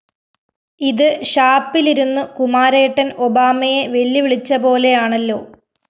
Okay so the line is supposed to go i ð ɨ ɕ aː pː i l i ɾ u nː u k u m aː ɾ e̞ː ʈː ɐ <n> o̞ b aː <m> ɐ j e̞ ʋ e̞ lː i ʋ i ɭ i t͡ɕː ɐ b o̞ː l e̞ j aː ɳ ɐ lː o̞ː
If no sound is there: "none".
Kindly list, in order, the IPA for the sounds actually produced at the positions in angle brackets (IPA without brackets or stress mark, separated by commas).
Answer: n, m